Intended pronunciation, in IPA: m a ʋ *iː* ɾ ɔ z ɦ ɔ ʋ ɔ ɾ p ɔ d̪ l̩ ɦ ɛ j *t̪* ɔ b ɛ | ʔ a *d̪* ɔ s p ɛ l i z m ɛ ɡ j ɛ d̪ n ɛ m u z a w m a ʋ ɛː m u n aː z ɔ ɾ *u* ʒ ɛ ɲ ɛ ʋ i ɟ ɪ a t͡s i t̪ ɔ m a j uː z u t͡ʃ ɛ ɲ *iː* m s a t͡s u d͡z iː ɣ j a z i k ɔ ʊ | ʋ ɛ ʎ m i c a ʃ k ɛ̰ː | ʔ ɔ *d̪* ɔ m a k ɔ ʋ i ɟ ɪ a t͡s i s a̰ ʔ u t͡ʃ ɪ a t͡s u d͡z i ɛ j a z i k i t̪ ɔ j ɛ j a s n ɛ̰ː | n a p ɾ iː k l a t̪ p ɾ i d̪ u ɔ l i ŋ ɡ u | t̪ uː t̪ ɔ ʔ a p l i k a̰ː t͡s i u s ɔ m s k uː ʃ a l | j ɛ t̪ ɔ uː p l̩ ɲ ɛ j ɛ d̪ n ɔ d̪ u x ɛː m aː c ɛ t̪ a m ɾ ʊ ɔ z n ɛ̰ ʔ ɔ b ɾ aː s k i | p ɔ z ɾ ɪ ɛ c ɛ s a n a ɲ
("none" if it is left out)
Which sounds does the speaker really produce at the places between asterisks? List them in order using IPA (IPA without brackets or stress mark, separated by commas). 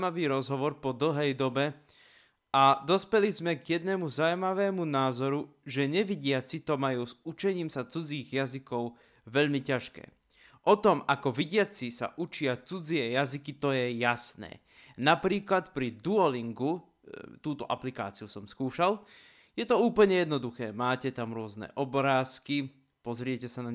iː, d̪, d̪, u, iː, t̪